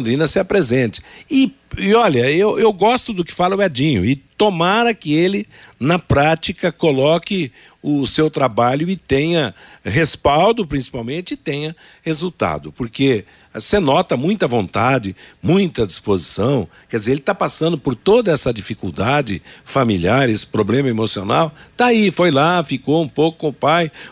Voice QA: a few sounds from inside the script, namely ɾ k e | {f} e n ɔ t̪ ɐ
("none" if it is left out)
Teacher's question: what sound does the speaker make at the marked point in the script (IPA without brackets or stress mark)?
s